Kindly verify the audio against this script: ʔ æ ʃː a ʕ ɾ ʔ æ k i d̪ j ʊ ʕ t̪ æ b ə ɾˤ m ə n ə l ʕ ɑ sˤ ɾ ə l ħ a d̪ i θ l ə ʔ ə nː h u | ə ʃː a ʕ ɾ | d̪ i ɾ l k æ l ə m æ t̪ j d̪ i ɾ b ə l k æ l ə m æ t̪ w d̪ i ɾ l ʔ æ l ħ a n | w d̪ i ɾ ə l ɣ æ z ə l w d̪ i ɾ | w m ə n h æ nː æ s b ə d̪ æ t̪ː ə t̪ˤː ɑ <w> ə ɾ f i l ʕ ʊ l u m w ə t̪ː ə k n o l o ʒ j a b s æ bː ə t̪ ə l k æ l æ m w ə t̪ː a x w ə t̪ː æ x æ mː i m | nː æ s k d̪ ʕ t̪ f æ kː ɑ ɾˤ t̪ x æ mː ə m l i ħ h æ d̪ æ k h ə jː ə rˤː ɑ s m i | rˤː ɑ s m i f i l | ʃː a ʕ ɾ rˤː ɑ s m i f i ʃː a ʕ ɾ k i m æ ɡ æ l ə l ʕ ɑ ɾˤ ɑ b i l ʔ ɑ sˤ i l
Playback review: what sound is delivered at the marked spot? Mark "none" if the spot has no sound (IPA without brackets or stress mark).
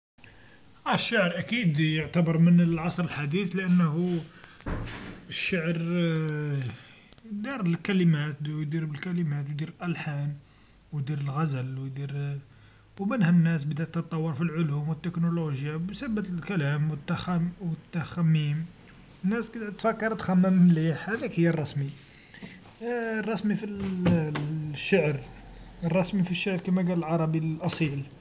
wː